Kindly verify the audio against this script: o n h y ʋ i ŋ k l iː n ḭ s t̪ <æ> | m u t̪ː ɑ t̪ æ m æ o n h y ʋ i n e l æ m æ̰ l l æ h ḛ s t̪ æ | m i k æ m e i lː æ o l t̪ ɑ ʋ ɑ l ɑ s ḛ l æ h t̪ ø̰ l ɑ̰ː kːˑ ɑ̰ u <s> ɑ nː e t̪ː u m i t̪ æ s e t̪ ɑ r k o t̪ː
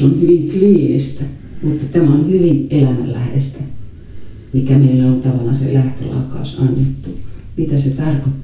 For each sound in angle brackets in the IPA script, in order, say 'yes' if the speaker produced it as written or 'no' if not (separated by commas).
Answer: yes, yes